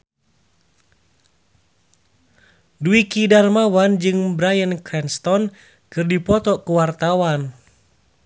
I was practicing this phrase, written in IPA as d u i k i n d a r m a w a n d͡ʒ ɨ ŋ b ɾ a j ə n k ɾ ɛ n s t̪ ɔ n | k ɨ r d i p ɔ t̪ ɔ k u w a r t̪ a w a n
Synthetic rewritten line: d u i k i d a r m a w a n d͡ʒ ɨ ŋ b ɾ a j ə n k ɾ ɛ n s t̪ ɔ n | k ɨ r d i p ɔ t̪ ɔ k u w a r t̪ a w a n